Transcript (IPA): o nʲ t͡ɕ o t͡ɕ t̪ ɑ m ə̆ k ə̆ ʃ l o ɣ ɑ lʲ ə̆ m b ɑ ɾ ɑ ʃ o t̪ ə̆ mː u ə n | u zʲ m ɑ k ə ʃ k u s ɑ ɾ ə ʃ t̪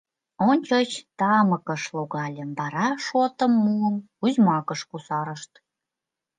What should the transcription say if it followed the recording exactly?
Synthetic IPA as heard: o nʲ t͡ɕ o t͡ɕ t̪ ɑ m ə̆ k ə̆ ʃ l o ɣ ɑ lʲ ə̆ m b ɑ ɾ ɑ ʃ o t̪ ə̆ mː u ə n | u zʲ m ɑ k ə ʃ k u s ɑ ɾ ə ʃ t̪

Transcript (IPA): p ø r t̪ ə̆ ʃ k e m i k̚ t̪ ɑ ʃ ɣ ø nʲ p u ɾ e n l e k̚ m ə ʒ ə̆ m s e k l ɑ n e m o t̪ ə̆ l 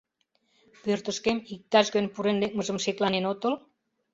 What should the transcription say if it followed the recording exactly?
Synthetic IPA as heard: p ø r t̪ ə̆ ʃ k e m i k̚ t̪ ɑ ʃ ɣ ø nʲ p u ɾ e n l e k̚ m ə ʒ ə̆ m ʃ e k l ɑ n e n o t̪ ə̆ l

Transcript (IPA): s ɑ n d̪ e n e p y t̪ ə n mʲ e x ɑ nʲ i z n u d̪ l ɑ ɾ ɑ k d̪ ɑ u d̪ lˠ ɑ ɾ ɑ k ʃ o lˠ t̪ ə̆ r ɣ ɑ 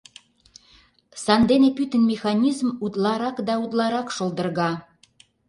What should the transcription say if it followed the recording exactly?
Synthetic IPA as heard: s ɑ n d̪ e n e p y t̪ ə n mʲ e x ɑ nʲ i z m u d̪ l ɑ ɾ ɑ k d̪ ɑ u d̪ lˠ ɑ ɾ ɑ k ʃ o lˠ d̪ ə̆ r ɣ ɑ

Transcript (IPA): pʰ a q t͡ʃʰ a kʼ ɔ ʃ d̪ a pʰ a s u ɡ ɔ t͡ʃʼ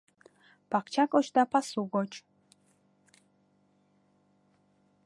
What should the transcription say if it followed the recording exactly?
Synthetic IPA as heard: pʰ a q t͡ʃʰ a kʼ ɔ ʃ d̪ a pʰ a s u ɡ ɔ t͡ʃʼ

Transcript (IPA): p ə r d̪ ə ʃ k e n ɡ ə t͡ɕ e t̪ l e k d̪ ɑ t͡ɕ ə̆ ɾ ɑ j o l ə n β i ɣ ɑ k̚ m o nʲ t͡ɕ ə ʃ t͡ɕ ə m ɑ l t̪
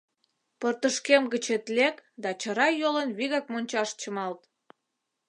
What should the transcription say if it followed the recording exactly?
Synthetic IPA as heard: p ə r t̪ ə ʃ k e m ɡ ə t͡ɕ e t̪ l e k d̪ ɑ t͡ɕ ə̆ ɾ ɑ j o l ə n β i ɣ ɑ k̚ m o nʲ t͡ɕ ɑ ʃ t͡ɕ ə m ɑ l t̪

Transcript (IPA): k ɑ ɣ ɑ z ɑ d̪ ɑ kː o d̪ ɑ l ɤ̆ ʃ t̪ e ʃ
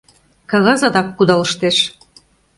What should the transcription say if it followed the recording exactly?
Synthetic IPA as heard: k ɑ ɣ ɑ z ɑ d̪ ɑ kː u d̪ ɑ l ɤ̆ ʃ t̪ e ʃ

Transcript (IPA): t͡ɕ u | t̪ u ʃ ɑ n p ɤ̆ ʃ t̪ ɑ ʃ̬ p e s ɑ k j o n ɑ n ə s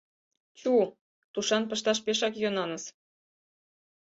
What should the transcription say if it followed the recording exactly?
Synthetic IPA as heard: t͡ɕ u | t̪ u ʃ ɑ n p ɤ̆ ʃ t̪ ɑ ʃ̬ p e ʃ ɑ k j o n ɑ n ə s

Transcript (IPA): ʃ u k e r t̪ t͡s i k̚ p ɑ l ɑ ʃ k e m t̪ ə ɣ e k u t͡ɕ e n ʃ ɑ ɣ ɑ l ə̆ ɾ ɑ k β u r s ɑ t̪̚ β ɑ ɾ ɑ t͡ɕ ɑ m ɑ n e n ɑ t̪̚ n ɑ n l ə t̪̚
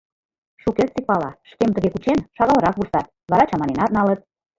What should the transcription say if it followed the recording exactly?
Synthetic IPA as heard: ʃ u k e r t̪ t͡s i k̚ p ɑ l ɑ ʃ k e m t̪ ə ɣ e k u t͡ɕ e n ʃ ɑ ɣ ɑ l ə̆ ɾ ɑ k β u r s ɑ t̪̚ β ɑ ɾ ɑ t͡ɕ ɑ m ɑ n e n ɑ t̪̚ n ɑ l ə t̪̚

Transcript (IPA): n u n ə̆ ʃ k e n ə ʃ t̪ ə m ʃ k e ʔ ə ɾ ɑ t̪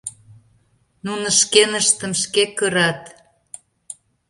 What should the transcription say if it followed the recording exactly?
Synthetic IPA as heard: n u n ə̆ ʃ k e n ə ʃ t̪ ə m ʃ k e k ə ɾ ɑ t̪

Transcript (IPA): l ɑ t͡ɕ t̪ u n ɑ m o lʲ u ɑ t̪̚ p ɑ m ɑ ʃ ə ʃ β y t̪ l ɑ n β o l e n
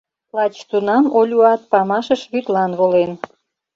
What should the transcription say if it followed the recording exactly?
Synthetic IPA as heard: l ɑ t͡ɕ t̪ u n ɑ m o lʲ u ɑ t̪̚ p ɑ m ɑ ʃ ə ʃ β y t̪ l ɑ n β o l e n

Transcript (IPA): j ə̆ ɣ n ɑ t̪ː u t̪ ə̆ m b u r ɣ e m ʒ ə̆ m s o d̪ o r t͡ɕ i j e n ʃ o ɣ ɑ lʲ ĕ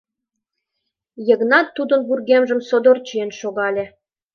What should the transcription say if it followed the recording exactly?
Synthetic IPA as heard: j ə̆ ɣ n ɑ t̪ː u d̪ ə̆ n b u r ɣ e m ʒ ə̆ m s o d̪ o r t͡ɕ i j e n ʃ o ɣ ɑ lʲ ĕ

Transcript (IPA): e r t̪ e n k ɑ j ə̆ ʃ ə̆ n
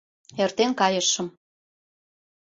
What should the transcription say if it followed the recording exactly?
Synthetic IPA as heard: e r t̪ e n k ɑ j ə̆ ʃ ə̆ m

